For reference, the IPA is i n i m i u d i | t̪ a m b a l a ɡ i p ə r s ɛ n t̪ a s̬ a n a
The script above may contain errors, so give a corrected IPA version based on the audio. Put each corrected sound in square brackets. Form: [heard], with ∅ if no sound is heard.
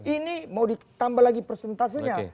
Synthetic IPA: i n i m [a] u d i | t̪ a m b a l a ɡ i p ə r s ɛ n t̪ a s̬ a [ɲ] a